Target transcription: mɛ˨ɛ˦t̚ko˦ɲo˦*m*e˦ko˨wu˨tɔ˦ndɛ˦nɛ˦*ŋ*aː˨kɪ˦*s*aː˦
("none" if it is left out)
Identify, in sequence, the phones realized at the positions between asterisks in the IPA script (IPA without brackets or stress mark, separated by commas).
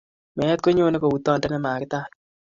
n, m, t